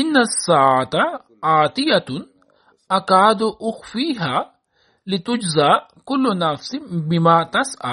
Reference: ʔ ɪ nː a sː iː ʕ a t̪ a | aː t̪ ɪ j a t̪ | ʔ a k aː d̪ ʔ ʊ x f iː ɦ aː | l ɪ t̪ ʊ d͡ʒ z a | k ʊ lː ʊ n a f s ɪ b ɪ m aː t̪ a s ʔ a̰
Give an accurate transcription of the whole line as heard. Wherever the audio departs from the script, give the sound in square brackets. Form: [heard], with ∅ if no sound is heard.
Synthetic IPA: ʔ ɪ nː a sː [aː] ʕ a t̪ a | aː t̪ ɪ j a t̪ | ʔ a k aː d̪ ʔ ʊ x f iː ɦ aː | l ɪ t̪ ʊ d͡ʒ z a | k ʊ lː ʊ n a f s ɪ b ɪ m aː t̪ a s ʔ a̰